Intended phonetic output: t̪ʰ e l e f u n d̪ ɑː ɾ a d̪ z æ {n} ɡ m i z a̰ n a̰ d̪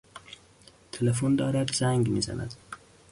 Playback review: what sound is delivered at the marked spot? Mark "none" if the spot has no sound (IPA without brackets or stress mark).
ŋ